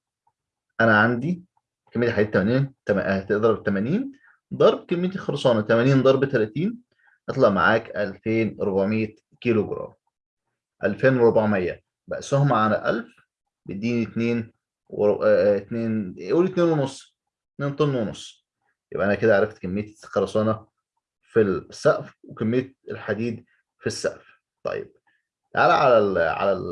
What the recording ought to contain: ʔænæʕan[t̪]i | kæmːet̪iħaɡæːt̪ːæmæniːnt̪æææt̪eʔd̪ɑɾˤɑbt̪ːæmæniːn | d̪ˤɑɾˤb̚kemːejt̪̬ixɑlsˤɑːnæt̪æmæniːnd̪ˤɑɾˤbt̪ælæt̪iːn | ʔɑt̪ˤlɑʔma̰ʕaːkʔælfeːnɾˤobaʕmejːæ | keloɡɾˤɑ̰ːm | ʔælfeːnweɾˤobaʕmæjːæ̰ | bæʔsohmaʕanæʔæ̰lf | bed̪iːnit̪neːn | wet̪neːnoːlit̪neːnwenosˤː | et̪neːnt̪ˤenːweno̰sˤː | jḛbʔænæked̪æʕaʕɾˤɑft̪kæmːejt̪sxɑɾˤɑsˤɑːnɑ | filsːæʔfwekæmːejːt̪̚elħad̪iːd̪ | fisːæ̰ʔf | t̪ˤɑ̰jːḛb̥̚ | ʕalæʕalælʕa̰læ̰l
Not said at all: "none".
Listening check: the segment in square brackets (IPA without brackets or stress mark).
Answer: d̪